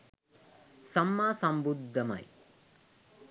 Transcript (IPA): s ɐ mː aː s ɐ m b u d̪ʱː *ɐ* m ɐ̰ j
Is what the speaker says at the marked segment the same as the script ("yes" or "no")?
yes